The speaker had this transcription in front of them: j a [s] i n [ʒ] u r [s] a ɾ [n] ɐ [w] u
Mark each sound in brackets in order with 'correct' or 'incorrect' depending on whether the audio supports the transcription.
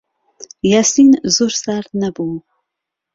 correct, incorrect, correct, correct, incorrect

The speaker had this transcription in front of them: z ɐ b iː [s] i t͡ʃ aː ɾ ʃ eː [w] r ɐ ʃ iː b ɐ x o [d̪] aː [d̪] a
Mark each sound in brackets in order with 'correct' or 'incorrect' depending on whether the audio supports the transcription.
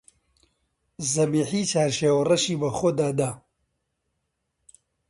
incorrect, correct, correct, correct

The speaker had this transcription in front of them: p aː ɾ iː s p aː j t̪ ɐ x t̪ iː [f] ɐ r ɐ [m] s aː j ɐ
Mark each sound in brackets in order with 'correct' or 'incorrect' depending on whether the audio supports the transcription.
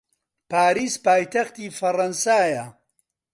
correct, incorrect

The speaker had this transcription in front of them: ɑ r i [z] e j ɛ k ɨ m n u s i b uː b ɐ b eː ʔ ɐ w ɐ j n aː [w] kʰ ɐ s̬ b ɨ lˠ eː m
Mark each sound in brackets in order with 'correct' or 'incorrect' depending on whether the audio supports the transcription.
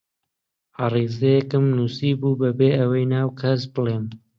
correct, correct

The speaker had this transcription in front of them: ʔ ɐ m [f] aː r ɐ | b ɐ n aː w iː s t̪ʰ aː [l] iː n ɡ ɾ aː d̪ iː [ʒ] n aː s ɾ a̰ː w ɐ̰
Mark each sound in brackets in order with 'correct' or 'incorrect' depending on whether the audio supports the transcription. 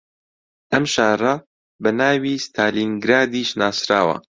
incorrect, correct, incorrect

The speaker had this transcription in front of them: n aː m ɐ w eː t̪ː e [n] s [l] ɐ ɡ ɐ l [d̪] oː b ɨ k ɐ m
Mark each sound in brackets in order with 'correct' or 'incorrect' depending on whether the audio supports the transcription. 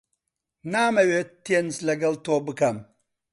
correct, correct, incorrect

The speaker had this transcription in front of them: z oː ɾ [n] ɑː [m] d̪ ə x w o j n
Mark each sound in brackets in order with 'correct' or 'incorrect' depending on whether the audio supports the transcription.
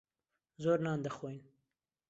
correct, incorrect

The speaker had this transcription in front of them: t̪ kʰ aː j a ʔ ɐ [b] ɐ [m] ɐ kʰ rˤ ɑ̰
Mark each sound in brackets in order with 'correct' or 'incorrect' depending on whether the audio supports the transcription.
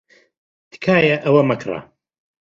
incorrect, correct

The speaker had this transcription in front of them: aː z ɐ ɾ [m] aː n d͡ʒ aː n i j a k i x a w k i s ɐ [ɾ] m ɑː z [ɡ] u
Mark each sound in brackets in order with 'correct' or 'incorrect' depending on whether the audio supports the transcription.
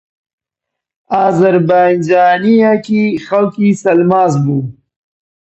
incorrect, incorrect, incorrect

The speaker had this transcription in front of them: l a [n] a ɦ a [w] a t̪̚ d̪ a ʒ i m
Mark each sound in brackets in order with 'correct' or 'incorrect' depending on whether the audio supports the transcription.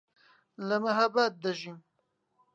incorrect, incorrect

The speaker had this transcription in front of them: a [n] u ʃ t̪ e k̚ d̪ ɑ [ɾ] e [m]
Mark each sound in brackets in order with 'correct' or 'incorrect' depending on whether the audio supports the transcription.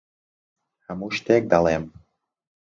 incorrect, incorrect, correct

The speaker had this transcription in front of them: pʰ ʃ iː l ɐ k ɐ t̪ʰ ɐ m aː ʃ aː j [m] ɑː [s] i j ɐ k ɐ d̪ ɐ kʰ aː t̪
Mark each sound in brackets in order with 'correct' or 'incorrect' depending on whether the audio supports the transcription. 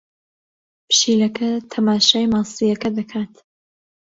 correct, correct

